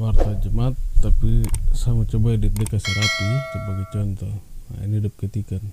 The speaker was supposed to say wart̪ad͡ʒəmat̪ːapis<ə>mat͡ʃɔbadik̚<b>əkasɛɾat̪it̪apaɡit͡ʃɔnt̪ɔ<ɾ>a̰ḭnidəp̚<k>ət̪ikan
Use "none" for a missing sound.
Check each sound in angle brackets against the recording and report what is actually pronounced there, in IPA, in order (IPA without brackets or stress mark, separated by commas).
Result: a, d, none, k